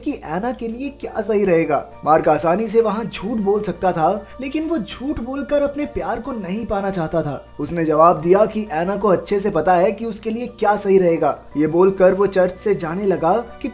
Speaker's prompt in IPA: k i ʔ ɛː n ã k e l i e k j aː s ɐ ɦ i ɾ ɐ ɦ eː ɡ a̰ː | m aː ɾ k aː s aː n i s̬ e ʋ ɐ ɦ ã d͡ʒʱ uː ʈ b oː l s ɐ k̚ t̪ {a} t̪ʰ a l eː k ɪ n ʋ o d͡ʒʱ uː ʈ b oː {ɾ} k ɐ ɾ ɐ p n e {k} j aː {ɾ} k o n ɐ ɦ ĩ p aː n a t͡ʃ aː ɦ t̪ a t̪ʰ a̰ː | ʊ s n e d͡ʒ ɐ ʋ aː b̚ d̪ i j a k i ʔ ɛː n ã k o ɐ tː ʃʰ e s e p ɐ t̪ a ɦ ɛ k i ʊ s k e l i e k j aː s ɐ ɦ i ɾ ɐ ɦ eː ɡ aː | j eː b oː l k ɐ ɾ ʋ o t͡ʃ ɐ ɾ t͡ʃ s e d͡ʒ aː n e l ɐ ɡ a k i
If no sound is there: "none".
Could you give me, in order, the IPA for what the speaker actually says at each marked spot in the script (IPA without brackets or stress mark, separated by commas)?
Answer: a, l, p, ɾ